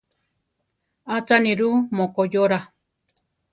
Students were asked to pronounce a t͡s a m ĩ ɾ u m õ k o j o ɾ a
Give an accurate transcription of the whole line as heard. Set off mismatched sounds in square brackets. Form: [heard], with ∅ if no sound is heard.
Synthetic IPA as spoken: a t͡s a [n] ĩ ɾ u m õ k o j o ɾ a